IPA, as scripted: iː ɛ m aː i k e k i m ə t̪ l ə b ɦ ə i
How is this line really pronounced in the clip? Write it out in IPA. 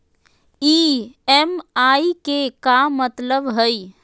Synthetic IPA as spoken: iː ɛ m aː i k e k a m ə t̪ l ə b ɦ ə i